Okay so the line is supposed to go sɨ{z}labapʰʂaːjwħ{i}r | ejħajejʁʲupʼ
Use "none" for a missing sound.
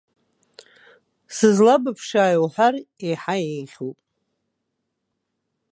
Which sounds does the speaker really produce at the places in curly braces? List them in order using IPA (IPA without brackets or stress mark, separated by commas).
z, a